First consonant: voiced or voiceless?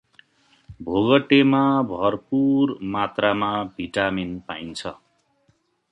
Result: voiced